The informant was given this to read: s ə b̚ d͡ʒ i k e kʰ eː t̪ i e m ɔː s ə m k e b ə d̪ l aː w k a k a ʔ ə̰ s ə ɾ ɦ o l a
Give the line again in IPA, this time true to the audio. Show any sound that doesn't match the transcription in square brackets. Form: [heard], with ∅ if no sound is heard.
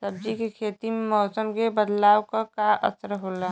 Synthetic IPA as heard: s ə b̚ d͡ʒ i k e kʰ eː t̪ i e m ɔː s ə m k e b ə d̪ l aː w k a k a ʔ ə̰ s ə ɾ ɦ o l a